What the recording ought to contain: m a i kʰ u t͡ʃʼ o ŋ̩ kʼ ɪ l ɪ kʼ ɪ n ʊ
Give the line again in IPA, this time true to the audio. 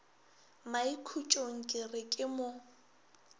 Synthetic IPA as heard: m a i kʰ u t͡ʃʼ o ŋ̩ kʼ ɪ r ɪ kʼ ɪ m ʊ